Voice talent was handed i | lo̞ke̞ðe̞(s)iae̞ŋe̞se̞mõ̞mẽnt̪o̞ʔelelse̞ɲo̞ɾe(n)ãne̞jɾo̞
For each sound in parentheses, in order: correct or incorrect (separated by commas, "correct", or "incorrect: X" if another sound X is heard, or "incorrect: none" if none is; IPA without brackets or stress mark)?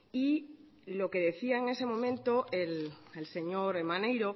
incorrect: θ, incorrect: m